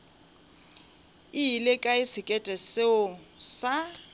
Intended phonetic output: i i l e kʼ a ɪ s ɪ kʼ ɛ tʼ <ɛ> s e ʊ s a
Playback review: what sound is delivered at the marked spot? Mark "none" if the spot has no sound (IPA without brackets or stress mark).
ɛ